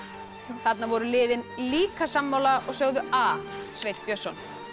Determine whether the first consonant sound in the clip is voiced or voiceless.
voiceless